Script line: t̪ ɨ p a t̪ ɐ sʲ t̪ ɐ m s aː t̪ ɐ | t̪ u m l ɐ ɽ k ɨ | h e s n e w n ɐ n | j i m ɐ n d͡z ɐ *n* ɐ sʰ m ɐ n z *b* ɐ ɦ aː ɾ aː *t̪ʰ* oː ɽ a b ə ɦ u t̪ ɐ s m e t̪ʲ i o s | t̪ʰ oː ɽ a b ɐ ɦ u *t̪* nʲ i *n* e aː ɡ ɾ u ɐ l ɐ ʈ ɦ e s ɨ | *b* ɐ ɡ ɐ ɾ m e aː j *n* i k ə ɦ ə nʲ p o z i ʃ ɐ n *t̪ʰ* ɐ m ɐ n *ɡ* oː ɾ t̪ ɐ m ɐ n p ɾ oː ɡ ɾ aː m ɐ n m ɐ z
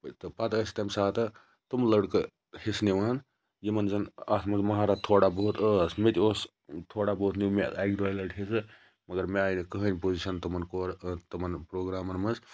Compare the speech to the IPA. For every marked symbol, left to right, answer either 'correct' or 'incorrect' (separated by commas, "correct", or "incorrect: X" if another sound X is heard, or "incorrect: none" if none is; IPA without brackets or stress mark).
correct, incorrect: m, correct, correct, incorrect: m, incorrect: m, correct, incorrect: t̪, incorrect: k